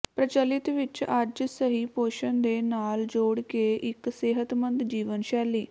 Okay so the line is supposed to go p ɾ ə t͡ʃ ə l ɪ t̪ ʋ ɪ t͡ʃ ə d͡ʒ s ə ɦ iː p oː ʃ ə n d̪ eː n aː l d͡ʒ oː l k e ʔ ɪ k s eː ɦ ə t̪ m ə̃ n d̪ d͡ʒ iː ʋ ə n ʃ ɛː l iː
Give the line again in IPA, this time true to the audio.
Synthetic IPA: p ɾ ə t͡ʃ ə l ɪ t̪ ʋ ɪ t͡ʃ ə d͡ʒ s ə ɦ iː p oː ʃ ə n d̪ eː n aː l d͡ʒ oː ɽ k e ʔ ɪ k s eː ɦ ə t̪ m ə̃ n d̪ d͡ʒ iː ʋ ə n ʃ ɛː l iː